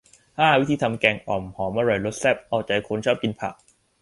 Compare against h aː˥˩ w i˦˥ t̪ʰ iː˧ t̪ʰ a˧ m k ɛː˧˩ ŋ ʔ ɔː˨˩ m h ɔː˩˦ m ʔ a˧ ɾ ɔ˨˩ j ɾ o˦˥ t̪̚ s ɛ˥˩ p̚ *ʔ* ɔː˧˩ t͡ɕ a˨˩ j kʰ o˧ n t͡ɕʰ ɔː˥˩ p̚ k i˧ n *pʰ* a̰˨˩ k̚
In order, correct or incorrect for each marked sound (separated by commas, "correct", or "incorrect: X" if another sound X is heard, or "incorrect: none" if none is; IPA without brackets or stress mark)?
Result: correct, correct